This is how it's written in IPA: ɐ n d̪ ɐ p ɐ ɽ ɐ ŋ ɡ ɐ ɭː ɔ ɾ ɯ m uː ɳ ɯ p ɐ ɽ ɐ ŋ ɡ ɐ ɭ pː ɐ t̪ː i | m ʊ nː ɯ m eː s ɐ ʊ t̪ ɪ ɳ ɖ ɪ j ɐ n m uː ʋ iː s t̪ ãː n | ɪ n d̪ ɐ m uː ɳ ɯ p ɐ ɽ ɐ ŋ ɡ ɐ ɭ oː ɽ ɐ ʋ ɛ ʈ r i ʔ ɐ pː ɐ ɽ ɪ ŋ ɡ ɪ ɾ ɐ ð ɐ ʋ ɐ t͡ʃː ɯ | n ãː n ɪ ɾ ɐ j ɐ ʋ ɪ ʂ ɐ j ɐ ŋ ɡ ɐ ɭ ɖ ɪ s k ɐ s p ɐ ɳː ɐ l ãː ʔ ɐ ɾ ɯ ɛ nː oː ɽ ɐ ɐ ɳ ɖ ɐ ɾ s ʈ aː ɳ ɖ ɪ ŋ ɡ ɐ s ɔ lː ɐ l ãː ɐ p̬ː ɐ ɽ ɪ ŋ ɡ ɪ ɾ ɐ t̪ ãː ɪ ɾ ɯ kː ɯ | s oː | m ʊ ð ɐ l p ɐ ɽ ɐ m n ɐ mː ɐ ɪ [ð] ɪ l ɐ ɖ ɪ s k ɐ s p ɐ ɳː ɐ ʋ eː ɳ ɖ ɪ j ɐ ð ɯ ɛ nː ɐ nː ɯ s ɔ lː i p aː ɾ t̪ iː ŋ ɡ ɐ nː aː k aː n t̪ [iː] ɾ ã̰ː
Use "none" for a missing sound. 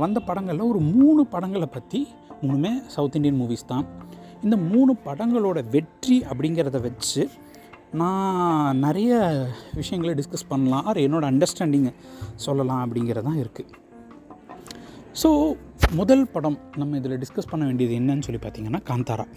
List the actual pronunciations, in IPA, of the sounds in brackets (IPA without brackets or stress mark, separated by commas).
ð, aː